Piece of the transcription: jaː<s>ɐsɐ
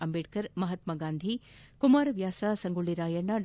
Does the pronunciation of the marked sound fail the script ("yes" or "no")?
no